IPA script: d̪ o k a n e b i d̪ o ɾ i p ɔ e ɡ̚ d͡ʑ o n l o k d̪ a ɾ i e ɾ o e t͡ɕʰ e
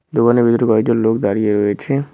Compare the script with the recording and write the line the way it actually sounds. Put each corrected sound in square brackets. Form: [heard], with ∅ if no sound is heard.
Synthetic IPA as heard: d̪ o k a n e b i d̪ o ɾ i [k] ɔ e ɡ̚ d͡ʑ o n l o k d̪ a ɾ i e ɾ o e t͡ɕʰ e

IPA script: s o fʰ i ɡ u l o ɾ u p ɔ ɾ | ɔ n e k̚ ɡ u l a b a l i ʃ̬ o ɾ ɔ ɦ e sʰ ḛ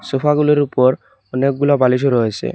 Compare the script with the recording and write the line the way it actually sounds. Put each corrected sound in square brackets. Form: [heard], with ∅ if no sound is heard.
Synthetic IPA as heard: s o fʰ [a] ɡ u l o ɾ u p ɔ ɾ | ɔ n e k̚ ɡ u l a b a l i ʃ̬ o ɾ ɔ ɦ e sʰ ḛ

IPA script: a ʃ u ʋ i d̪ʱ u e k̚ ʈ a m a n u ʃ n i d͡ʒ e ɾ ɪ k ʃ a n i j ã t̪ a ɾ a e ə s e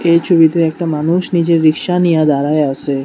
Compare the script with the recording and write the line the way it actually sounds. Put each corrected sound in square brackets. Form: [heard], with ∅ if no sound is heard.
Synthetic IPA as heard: [e] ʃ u ʋ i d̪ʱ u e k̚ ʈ a m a n u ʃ n i d͡ʒ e ɾ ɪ k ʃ a n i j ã [d̪] a ɾ a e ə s e

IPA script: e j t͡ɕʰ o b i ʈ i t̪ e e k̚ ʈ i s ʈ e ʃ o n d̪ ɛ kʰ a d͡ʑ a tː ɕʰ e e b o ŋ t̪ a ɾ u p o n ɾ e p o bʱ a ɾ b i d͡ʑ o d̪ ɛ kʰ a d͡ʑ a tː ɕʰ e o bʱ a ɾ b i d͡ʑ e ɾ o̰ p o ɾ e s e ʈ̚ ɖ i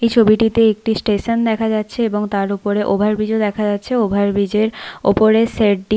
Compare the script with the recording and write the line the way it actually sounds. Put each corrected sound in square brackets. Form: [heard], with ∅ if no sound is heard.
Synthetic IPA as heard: e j t͡ɕʰ o b i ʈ i t̪ e e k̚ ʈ i s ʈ e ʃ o n d̪ ɛ kʰ a d͡ʑ a tː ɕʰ e e b o ŋ t̪ a ɾ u p o [∅] ɾ e [ʔ] o bʱ a ɾ b i d͡ʑ o d̪ ɛ kʰ a d͡ʑ a tː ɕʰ e o bʱ a ɾ b i d͡ʑ e ɾ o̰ p o ɾ e s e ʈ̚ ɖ i

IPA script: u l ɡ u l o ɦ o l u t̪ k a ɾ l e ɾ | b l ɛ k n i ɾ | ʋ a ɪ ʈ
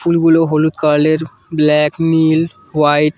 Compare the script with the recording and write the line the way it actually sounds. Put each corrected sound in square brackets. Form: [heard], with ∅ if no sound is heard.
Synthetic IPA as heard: u l ɡ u l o ɦ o l u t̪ k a ɾ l e ɾ | b l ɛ k n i [l] | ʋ a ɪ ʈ

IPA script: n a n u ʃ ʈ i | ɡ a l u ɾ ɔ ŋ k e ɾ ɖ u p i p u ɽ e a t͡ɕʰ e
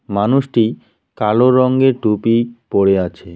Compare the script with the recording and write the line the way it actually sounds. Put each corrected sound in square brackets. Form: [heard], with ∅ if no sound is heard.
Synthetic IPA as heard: [m] a n u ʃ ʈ i | [k] a l [o] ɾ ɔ ŋ [ɡ] e ɾ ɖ u p i p [o] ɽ e a t͡ɕʰ e

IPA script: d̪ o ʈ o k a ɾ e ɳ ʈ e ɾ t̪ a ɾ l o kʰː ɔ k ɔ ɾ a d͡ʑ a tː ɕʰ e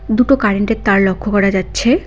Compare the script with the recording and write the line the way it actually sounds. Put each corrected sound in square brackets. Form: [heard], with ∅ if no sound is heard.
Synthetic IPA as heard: d̪ [u] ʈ o k a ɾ e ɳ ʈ e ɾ t̪ a ɾ l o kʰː [o] k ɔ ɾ a d͡ʑ a tː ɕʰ e

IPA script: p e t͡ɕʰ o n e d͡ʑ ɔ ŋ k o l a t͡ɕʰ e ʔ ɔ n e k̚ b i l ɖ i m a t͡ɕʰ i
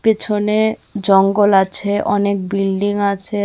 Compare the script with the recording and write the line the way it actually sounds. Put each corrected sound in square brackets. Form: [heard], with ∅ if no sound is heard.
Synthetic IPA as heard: p e t͡ɕʰ o n e d͡ʑ ɔ ŋ [ɡ] o l a t͡ɕʰ e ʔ ɔ n e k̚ b i l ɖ i [ŋ] a t͡ɕʰ [e]

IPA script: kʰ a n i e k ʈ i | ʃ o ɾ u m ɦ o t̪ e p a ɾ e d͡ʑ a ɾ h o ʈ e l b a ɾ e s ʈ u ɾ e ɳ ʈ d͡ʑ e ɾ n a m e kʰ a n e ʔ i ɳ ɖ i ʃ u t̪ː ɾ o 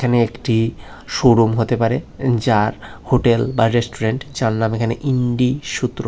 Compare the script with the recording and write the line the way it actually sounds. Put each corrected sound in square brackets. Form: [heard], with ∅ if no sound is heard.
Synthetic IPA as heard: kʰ a n [e] e k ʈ i | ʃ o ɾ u m ɦ o t̪ e p a ɾ e d͡ʑ a ɾ h o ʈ e l b a ɾ e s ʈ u ɾ e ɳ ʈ d͡ʑ [a] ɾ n a m e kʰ a n e ʔ i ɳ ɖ i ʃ u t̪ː ɾ o

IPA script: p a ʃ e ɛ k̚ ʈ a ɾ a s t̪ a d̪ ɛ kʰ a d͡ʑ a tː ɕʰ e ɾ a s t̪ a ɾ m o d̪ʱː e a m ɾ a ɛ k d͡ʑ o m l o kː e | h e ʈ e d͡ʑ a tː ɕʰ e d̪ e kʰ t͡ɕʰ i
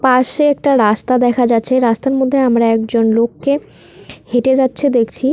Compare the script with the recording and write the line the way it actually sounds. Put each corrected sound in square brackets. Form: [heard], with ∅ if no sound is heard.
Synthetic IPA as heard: p a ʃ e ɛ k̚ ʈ a ɾ a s t̪ a d̪ ɛ kʰ a d͡ʑ a tː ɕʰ e ɾ a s t̪ a ɾ m o d̪ʱː e a m ɾ a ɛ k d͡ʑ o [n] l o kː e | h e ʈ e d͡ʑ a tː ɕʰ e d̪ e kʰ t͡ɕʰ i

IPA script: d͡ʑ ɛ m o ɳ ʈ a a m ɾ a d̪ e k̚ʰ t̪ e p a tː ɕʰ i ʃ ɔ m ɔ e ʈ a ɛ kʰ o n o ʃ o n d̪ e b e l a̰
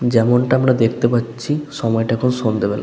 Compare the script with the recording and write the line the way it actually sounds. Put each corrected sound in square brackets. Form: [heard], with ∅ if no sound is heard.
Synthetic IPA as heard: d͡ʑ ɛ m o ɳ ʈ a a m ɾ a d̪ e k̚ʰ t̪ e p a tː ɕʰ i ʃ ɔ m ɔ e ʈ a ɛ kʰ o n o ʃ o n d̪ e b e l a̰

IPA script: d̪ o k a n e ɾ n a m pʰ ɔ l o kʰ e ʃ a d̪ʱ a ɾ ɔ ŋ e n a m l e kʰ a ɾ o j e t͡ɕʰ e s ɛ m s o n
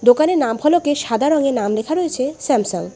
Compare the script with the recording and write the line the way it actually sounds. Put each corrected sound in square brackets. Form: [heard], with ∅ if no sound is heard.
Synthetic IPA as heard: d̪ o k a n e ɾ n a m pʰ ɔ l o [k] e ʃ a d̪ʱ a ɾ ɔ ŋ e n a m l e kʰ a ɾ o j e t͡ɕʰ e s ɛ m s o [ŋ]

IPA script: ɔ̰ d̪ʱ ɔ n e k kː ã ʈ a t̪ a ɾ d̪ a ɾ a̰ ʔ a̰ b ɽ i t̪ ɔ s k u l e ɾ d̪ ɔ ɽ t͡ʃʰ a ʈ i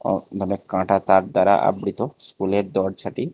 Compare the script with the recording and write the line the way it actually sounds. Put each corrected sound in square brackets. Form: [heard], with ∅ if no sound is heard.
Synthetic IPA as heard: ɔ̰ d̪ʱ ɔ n e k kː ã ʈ a t̪ a ɾ d̪ a ɾ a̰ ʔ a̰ b ɽ i t̪ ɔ s k u l e ɾ d̪ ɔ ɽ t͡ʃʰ a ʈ i

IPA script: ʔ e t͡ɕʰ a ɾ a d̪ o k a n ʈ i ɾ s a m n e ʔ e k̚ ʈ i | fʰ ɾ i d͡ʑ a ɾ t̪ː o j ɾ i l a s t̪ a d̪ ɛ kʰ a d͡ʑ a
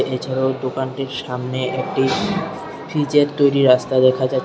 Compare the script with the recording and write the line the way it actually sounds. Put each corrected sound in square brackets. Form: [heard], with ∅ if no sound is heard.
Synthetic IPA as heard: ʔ e t͡ɕʰ a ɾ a d̪ o k a n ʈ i ɾ [ʃ] a m n e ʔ e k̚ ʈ i | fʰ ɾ i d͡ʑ [e] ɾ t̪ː o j ɾ i [ɾ] a s t̪ a d̪ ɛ kʰ a d͡ʑ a

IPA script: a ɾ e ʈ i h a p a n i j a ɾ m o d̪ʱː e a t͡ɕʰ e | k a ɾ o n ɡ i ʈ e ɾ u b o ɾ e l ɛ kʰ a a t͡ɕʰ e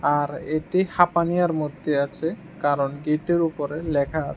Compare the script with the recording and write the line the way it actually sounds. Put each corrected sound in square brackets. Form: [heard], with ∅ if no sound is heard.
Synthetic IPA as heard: a ɾ e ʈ i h a p a n i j a ɾ m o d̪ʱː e a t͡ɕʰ e | k a ɾ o n ɡ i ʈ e ɾ u [p] o ɾ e l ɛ kʰ a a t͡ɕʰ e

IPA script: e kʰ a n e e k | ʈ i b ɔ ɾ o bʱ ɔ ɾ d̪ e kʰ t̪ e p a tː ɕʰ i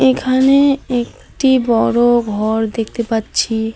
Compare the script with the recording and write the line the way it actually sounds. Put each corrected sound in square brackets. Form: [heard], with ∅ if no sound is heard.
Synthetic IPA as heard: e kʰ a n e e k | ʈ i b ɔ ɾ o [ɡʱ] ɔ ɾ d̪ e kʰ t̪ e p a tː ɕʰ i

